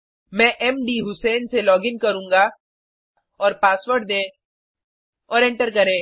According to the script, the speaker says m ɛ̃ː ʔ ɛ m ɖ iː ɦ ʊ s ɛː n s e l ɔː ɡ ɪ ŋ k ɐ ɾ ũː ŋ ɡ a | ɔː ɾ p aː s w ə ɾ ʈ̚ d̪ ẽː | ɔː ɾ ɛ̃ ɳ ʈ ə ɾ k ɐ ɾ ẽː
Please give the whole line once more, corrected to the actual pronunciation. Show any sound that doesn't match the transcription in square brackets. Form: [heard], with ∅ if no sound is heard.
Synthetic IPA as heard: m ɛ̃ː ʔ ɛ m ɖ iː ɦ ʊ s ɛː n s e l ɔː ɡ ɪ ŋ k ɐ ɾ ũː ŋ ɡ a | ɔː ɾ p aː s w ə ɾ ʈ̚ d̪ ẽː | ɔː ɾ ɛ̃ ɳ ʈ ə ɾ k ɐ ɾ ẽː